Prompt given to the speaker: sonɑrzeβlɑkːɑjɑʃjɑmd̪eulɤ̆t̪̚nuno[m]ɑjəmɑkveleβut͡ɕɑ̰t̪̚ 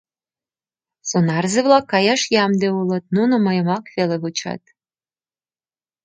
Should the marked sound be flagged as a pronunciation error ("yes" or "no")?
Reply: no